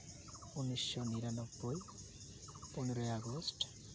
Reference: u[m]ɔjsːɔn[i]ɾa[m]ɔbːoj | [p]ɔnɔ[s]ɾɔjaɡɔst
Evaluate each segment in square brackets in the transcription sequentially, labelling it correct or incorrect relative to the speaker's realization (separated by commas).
incorrect, correct, incorrect, correct, incorrect